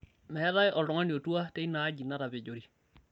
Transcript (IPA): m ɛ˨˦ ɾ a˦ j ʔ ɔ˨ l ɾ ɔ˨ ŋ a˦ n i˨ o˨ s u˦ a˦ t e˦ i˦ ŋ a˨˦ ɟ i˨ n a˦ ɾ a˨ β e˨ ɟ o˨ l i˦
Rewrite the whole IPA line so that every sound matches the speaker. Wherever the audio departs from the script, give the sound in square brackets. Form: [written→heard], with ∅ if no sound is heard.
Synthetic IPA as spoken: m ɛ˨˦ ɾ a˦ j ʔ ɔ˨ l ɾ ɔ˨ ŋ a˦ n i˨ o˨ [s→t] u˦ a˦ t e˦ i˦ [ŋ→n] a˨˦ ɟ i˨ n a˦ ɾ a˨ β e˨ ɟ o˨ [l→ɾ] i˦